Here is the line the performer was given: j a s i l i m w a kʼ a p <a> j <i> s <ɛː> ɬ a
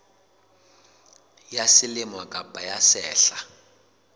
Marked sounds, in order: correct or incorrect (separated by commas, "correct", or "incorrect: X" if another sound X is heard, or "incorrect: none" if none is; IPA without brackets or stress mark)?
correct, incorrect: a, correct